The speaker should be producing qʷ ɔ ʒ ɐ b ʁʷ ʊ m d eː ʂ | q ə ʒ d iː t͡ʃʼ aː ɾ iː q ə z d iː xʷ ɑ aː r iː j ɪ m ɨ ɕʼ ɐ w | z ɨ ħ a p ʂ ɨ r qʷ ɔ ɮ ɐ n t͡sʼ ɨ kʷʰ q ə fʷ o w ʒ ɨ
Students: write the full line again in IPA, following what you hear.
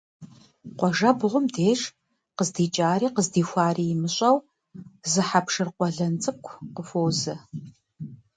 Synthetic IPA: qʷ ɔ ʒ ɐ b ʁʷ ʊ m d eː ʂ | q ə z d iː t͡ʃʼ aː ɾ iː q ə z d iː xʷ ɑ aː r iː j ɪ m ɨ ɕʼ ɐ w | z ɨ ħ a p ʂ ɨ r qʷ ɔ ɮ ɐ n t͡sʼ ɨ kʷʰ q ə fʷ o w z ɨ

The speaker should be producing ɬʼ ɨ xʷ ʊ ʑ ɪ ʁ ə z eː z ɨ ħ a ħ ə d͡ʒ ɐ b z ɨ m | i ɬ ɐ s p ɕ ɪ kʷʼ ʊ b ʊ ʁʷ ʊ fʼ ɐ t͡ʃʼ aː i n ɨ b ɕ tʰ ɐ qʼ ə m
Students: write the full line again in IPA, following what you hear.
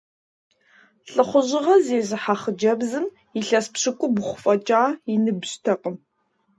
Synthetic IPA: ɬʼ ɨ χʷ ʊ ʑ ɪ ʁ ɐ z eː z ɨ ħ a χ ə d͡ʒ ɐ b z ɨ m | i ɬ ɐ s p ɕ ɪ kʷʼ ʊ b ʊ χʷ ʊ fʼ ɐ t͡ʃʼ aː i n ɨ b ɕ tʰ ɐ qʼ ə m

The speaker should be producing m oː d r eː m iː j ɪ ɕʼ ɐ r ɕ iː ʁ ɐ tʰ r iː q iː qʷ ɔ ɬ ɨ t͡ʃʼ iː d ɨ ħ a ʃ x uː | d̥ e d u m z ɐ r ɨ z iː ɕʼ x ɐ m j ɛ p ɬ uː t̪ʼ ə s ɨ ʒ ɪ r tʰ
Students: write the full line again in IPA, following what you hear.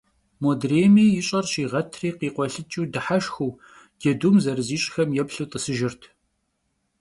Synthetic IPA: m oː d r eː m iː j ɪ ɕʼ ɐ r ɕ iː ʁ ɐ tʰ r iː q iː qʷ ɔ ɬ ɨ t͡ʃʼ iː d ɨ ħ a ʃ x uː | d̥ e d u m z ɐ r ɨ z iː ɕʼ x ɐ m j ɛ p ɬ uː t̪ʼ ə s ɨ ʒ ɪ r tʰ

